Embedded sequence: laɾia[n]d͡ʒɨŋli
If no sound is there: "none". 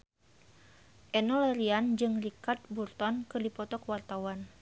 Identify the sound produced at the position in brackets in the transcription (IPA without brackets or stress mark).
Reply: n